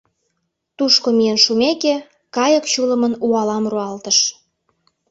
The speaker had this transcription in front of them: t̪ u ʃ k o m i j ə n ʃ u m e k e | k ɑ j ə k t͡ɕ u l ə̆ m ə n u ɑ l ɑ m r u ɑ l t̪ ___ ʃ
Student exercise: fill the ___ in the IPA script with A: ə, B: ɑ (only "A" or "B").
A